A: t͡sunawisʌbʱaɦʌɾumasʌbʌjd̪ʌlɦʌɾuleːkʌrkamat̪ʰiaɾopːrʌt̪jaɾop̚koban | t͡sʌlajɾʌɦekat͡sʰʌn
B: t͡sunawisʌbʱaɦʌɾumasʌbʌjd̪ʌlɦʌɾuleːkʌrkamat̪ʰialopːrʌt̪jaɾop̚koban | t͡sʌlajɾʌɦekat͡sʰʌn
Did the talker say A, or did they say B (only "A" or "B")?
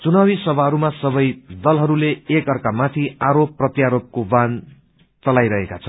A